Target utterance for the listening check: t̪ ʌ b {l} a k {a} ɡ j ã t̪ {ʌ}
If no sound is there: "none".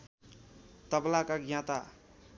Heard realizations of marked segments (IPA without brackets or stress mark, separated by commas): l, a, a